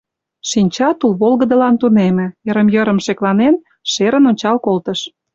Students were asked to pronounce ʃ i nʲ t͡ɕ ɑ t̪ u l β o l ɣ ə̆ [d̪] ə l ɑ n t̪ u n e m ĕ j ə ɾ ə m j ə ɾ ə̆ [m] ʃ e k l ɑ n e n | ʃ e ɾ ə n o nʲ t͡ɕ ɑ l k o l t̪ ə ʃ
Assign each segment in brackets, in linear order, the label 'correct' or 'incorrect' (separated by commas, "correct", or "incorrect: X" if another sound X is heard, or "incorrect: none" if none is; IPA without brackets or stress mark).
correct, correct